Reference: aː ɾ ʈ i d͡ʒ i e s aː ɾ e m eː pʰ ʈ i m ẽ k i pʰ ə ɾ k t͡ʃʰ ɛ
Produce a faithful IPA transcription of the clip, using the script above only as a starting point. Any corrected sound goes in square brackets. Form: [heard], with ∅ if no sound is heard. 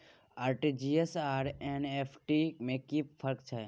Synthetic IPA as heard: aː ɾ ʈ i d͡ʒ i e s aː ɾ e [n] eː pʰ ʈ i m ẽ k i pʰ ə ɾ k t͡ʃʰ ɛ